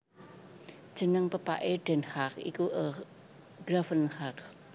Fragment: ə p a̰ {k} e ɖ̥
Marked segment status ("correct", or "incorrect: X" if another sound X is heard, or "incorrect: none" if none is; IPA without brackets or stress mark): incorrect: ʔ